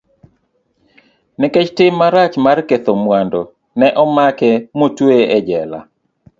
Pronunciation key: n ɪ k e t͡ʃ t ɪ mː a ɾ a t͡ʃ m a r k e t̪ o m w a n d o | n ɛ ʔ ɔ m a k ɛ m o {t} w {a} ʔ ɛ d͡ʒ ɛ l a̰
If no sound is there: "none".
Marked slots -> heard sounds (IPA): t, e

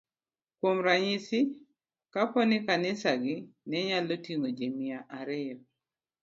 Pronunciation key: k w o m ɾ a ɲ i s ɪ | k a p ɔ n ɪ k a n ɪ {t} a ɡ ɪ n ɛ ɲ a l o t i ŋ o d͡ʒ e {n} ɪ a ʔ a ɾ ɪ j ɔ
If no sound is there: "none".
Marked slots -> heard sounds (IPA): s, m

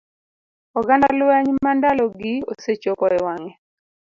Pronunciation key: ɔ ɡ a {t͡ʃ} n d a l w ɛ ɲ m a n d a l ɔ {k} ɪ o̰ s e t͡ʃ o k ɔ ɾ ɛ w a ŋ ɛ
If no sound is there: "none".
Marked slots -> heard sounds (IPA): none, ɡ

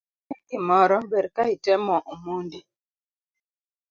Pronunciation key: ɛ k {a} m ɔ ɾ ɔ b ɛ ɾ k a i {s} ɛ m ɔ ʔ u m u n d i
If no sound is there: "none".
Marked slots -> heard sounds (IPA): i, t

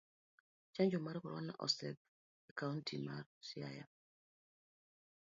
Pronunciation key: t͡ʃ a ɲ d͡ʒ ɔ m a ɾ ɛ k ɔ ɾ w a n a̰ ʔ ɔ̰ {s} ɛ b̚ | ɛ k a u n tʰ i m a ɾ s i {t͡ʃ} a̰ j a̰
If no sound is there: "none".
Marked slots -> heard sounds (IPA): s, none

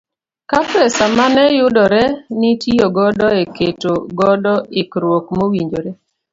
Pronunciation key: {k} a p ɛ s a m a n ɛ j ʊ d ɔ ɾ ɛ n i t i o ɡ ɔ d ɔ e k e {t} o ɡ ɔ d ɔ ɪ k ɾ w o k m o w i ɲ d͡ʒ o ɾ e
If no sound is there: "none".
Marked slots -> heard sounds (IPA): k, t

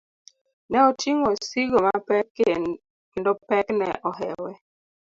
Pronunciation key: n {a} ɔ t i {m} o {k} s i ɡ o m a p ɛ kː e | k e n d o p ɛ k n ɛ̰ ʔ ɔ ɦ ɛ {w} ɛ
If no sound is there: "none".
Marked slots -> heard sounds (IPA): ɛ, ŋ, none, w

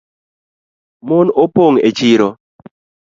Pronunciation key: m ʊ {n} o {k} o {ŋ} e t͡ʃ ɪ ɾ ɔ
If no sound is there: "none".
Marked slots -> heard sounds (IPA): n, p, ŋ

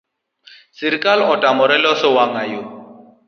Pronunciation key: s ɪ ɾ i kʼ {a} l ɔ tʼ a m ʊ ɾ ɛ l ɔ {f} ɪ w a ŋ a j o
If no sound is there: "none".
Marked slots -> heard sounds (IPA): a, s

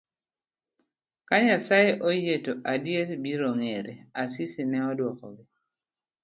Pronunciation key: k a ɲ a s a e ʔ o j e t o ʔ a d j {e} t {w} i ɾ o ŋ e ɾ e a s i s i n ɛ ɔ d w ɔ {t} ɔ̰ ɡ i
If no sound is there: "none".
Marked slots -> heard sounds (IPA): e, b, k

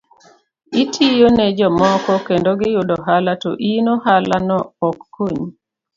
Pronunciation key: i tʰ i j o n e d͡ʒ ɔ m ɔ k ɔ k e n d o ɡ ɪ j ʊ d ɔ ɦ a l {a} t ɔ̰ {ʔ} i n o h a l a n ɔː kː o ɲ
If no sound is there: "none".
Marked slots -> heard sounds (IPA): a, ʔ

